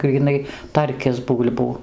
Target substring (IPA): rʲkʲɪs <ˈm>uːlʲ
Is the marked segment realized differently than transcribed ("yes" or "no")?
yes